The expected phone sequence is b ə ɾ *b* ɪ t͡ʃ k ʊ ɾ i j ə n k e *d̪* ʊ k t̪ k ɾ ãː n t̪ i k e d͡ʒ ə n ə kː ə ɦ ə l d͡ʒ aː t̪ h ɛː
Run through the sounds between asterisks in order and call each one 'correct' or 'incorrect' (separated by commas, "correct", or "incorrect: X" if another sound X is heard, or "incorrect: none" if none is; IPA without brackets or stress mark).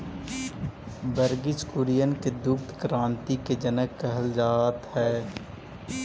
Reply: incorrect: ɡ, correct